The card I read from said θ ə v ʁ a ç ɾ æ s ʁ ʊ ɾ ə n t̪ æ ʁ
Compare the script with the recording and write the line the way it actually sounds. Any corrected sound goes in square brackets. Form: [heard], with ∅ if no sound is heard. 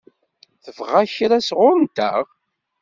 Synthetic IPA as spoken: θ ə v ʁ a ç ɾ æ s ʁ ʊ ɾ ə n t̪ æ ʁ